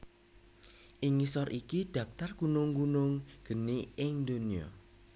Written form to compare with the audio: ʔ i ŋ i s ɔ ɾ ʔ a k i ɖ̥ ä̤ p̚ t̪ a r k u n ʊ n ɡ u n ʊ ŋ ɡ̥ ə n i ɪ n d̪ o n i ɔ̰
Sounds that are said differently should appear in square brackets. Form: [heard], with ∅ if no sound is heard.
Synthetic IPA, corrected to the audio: ʔ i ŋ i s ɔ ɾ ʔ [i] k i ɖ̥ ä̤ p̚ t̪ a r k u n ʊ [ŋ] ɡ u n ʊ ŋ ɡ̥ ə n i ɪ [ŋ] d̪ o n i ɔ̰

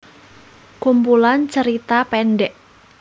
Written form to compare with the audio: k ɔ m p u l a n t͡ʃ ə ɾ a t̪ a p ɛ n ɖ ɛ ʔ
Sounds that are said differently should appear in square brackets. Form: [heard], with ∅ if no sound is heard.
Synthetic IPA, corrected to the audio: k [u] m p u l a n t͡ʃ ə ɾ [i] t̪ a p ɛ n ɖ ɛ ʔ

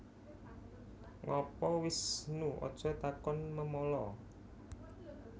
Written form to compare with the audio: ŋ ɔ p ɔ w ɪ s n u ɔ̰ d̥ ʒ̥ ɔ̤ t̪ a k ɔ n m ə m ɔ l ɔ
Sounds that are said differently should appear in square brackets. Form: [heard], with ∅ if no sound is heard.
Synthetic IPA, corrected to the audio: ŋ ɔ p ɔ w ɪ s n u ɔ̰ d̥ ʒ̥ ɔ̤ t̪ a k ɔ n m ə m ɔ l ɔ

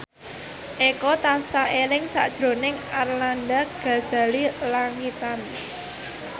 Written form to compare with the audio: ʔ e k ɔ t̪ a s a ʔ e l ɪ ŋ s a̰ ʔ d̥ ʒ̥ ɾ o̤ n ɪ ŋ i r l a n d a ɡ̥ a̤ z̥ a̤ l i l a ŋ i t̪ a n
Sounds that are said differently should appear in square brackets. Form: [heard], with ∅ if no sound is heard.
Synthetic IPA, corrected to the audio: ʔ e k ɔ t̪ a s a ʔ e l ɪ ŋ s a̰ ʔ d̥ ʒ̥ ɾ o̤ n ɪ ŋ [a] r l a n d a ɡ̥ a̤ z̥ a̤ l i l a ŋ i t̪ a n

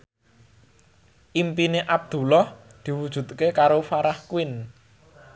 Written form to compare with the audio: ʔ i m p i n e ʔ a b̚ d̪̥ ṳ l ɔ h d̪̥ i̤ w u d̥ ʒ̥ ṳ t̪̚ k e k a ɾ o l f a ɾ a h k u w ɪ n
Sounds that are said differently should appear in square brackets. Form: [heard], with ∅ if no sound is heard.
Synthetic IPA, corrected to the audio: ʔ i m p i n e ʔ a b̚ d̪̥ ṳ l ɔ h d̪̥ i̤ w u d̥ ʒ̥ ṳ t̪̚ k e k a ɾ o [∅] f a ɾ a h k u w ɪ n

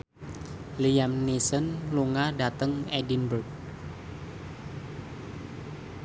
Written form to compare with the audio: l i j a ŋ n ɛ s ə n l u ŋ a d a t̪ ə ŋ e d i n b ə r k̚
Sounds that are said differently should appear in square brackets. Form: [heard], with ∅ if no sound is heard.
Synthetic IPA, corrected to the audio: l i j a [m] n [i] s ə n l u ŋ a d a t̪ ə ŋ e d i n b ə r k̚

